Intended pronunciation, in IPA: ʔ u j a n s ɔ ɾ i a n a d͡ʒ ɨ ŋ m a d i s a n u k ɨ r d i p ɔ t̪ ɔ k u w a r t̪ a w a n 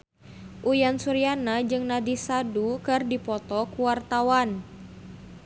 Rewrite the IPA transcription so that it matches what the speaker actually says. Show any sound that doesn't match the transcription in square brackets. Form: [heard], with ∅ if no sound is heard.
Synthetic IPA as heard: ʔ u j a n s [u] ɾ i a n a d͡ʒ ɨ ŋ [n] a d i s a [d] u k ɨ r d i p ɔ t̪ ɔ k u w a r t̪ a w a n